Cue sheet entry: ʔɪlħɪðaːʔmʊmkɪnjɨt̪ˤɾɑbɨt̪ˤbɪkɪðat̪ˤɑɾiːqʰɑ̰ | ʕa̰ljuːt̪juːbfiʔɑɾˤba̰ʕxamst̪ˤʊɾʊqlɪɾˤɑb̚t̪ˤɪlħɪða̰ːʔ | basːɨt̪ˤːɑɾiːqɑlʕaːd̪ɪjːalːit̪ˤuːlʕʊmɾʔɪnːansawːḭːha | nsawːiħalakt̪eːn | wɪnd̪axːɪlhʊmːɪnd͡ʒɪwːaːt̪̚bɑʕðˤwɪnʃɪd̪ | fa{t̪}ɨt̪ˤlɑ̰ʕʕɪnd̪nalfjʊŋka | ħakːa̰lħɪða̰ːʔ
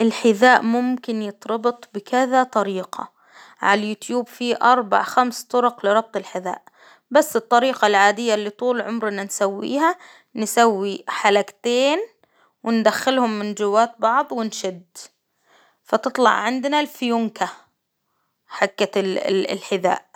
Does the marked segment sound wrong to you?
no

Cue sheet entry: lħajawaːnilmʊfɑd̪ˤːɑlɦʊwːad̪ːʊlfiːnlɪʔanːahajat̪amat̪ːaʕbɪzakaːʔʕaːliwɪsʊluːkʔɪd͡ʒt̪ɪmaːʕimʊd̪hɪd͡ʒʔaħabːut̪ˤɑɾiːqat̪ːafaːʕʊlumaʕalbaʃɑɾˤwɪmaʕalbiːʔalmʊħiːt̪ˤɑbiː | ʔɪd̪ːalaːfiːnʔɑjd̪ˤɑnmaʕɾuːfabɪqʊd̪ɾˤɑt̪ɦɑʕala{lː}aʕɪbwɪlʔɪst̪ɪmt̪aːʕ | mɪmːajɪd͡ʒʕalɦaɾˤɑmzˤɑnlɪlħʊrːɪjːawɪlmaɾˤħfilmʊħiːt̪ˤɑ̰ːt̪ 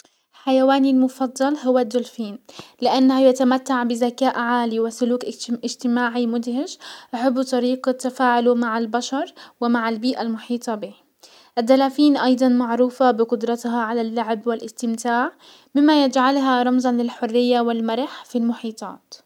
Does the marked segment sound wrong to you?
no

